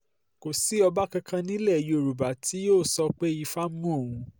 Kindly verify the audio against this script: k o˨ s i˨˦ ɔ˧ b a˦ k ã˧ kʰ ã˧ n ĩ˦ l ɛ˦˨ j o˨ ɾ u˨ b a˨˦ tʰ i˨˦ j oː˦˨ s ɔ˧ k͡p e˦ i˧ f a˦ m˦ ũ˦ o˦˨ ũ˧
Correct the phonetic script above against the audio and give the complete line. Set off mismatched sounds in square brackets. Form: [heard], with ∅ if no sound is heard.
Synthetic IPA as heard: k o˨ s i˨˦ ɔ˧ b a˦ k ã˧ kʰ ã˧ n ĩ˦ l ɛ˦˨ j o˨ ɾ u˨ b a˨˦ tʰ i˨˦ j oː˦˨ s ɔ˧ k͡p e˦ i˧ f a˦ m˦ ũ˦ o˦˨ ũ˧